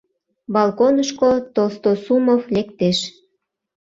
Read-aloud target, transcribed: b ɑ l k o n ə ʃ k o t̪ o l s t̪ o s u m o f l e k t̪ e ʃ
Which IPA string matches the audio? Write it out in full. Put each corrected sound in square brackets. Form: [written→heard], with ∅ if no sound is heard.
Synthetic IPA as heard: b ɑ l k o n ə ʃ k o t̪ o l s t̪ o s u m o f l e k t̪ e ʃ

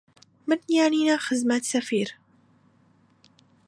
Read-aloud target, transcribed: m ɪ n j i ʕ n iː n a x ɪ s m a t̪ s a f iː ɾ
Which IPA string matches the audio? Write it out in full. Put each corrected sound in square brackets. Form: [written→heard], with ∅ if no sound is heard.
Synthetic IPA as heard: m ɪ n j [i→a] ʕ n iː n a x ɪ [s→z] m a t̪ s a f iː ɾ

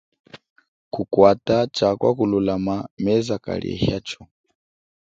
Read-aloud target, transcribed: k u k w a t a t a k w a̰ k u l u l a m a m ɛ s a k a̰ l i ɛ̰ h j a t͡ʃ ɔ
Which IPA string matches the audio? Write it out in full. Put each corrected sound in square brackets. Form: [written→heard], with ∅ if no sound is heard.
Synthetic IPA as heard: k u k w a t a [t→t͡ʃ] a k w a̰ k u l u l a m a m ɛ [s→z] a k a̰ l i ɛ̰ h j a t͡ʃ ɔ

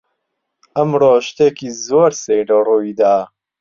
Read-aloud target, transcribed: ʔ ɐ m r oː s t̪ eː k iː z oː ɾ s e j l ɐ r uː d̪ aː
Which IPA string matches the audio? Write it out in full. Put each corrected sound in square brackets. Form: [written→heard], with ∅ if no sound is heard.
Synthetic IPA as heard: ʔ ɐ m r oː [s→ʃ] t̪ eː k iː z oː ɾ s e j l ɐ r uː d̪ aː

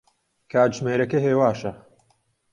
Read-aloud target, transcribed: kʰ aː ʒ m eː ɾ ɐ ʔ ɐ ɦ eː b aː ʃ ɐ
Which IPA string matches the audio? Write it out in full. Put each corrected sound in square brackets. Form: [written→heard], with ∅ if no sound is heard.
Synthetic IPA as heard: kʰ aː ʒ m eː ɾ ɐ [ʔ→k] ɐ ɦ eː [b→w] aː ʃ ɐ

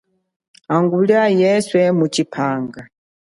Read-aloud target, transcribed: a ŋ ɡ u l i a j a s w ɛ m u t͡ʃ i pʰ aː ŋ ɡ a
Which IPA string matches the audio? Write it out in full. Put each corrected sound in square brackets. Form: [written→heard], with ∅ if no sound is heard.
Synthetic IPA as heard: a ŋ ɡ u l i a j [a→ɛ] s w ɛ m u t͡ʃ i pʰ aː ŋ ɡ a

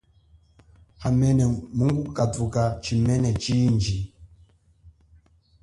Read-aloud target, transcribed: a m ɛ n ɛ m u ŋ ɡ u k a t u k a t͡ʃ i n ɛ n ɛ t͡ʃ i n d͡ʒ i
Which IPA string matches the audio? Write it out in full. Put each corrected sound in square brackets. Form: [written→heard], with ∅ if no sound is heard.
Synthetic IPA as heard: a m ɛ n ɛ m u ŋ ɡ u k a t u k a t͡ʃ i [n→m] ɛ n ɛ t͡ʃ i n d͡ʒ i

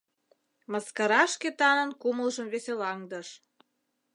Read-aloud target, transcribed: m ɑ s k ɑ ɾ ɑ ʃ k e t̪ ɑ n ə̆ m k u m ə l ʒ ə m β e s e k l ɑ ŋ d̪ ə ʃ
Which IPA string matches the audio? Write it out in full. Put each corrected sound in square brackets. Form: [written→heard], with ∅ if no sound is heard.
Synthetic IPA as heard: m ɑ s k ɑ ɾ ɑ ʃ k e t̪ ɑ n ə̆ [m→n] k u m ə l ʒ ə m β e s e [k→∅] l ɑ ŋ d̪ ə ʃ

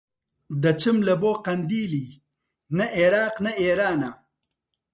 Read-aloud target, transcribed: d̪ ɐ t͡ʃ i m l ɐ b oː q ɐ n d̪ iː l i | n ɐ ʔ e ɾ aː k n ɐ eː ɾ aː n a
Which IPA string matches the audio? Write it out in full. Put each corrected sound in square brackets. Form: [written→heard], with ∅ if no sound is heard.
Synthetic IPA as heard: d̪ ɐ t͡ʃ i m l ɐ b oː q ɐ n d̪ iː l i | n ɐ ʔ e ɾ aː [k→q] n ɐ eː ɾ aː n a

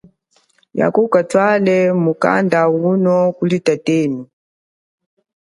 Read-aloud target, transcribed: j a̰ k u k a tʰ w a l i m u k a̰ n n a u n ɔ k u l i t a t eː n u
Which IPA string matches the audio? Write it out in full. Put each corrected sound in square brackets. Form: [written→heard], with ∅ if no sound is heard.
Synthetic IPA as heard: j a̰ k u k a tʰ w a l [i→ɛ] m u k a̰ n [n→d] a u n ɔ k u l i t a t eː n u

